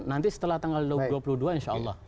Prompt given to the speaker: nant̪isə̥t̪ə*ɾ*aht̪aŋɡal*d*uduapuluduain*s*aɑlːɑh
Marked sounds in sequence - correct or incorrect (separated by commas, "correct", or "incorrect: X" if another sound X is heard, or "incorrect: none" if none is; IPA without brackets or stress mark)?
incorrect: l, correct, incorrect: ʃ